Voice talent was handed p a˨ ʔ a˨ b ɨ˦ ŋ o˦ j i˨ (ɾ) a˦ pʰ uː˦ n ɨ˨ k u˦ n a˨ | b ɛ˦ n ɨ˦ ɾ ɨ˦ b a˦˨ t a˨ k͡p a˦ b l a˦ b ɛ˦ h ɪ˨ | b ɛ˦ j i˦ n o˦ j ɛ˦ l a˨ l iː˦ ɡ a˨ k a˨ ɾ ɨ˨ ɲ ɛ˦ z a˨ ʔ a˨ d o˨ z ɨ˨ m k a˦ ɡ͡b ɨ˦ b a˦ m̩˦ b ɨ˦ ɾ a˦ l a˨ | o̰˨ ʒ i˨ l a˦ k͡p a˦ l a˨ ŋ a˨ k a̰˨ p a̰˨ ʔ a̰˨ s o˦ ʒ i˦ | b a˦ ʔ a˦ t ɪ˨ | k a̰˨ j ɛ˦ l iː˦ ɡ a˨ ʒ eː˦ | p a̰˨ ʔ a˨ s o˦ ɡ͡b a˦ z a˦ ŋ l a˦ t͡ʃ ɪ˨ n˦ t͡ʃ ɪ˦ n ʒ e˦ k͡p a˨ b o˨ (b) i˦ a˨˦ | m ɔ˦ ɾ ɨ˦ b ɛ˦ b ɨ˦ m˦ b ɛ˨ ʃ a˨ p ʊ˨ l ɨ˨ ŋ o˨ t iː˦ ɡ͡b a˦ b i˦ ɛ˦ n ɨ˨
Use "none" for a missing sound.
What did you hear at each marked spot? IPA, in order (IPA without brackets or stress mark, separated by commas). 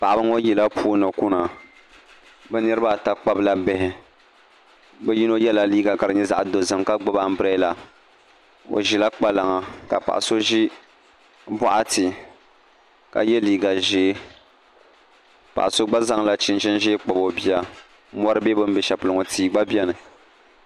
l, b